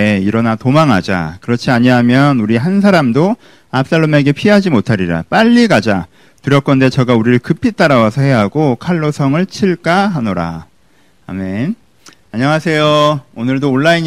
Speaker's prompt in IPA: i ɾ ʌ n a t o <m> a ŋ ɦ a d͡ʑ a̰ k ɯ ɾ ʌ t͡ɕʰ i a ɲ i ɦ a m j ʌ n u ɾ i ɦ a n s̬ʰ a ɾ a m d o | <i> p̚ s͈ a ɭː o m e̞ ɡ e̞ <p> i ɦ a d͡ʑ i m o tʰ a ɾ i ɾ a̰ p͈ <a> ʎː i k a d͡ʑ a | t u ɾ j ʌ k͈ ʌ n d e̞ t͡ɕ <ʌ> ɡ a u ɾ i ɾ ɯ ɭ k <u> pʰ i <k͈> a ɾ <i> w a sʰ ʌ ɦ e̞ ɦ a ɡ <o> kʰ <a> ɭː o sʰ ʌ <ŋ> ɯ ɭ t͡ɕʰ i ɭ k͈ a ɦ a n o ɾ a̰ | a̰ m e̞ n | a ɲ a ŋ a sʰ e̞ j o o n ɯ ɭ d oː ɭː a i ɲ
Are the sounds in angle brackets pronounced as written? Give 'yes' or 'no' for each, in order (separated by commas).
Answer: yes, no, no, yes, yes, no, no, no, yes, yes, yes